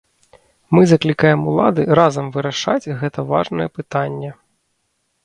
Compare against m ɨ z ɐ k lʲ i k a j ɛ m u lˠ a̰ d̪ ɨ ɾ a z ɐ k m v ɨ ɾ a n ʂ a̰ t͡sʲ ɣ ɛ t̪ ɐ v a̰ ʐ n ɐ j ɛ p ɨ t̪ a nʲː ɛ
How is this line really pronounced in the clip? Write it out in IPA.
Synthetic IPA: m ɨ z ɐ k lʲ i k a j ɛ m u lˠ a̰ d̪ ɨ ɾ a z ɐ m v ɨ ɾ a ʂ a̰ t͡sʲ ɣ ɛ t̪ ɐ v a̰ ʐ n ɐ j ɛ p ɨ t̪ a nʲː ɛ